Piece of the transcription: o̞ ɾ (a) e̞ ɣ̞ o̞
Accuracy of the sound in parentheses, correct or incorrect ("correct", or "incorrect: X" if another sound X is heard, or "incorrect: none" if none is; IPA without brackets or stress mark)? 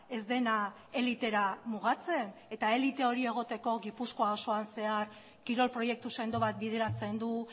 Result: incorrect: i